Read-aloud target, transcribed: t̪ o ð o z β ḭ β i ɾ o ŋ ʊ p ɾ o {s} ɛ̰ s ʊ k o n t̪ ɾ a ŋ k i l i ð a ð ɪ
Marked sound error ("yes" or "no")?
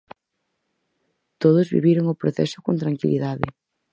yes